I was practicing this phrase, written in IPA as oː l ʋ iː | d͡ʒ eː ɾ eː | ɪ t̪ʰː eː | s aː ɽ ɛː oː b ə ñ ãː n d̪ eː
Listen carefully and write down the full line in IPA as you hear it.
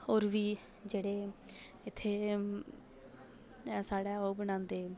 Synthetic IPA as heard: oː ɾ ʋ iː | d͡ʒ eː ɽ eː | ɪ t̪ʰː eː | s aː ɽ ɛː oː b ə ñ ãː n d̪ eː